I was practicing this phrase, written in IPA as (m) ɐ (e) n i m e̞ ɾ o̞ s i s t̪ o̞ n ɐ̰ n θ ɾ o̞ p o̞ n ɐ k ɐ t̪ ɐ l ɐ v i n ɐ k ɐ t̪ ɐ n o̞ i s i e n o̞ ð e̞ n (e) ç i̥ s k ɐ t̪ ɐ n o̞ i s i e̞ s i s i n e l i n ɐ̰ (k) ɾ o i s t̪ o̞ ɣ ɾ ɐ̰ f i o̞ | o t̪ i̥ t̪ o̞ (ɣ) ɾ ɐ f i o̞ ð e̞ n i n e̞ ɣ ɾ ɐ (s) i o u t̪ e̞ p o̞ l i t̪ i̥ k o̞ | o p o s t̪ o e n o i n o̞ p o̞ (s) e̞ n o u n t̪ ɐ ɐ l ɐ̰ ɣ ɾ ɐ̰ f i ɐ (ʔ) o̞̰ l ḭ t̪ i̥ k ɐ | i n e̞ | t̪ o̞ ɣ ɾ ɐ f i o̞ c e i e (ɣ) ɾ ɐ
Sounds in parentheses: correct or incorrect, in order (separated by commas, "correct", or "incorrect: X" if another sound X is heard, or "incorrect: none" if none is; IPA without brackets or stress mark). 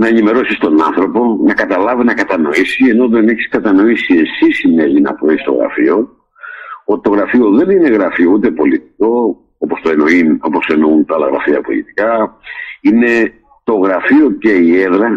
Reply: incorrect: n, correct, correct, incorrect: p, correct, incorrect: f, correct, incorrect: p, incorrect: ð